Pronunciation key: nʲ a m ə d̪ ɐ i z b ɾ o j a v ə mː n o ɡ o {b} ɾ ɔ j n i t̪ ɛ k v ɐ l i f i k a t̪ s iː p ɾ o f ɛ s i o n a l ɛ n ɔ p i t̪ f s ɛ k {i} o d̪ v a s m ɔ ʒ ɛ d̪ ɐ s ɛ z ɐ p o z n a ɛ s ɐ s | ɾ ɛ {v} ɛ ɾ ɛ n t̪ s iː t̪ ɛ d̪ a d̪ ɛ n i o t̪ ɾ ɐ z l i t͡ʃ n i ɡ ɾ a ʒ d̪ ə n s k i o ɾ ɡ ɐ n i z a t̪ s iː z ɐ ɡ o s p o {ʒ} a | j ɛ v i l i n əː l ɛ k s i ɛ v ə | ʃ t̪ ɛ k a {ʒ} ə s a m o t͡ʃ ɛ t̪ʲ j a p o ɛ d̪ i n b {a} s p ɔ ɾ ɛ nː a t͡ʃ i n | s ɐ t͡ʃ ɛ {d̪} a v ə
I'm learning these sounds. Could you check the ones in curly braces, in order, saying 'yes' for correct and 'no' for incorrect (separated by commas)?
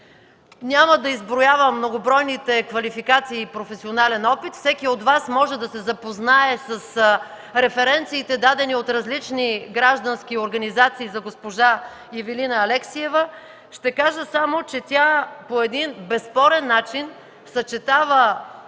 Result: yes, yes, no, yes, yes, no, no